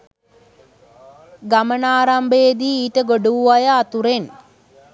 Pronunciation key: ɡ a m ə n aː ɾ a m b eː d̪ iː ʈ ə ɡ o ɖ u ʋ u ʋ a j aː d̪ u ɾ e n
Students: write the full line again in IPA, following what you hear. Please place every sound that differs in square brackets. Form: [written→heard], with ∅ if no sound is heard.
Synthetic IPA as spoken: ɡ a m ə n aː ɾ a m b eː d̪ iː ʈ ə ɡ o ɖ u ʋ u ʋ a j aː [d̪→t̪] u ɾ e n